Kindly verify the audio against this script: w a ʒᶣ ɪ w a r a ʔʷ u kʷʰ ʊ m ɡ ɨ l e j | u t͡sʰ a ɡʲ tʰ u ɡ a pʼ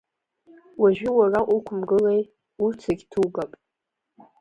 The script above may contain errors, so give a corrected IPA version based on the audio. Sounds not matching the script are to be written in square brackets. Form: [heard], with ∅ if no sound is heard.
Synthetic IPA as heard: w a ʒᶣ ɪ w a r a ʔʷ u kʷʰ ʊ m ɡ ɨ l e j | u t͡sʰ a ɡʲ tʰ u ɡ a pʼ